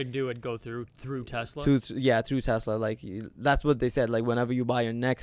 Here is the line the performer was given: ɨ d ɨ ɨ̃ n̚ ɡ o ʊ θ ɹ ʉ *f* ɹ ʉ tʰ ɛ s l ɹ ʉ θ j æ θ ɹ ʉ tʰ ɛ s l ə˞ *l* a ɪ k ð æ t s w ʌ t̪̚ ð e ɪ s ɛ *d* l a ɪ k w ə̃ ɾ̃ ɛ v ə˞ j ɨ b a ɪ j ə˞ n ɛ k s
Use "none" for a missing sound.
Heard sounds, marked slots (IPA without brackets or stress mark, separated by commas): θ, l, d